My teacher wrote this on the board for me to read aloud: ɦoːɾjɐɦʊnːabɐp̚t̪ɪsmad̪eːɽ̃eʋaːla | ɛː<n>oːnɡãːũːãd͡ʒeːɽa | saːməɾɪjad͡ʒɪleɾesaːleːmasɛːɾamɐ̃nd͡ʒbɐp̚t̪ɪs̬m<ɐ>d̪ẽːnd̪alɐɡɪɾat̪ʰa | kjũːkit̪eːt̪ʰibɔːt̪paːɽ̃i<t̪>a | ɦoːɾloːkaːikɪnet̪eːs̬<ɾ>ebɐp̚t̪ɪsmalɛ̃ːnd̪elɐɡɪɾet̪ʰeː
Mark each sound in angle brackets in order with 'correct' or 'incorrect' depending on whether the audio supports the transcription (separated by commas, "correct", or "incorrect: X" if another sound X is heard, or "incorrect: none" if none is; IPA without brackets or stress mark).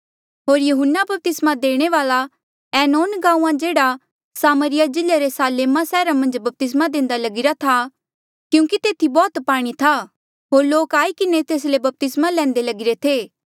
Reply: correct, incorrect: a, incorrect: t̪ʰ, incorrect: l